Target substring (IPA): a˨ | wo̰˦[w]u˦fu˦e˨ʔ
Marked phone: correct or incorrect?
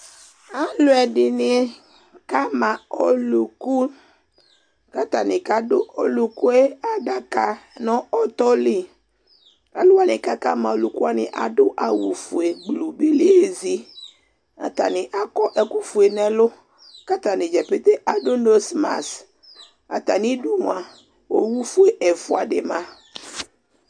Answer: correct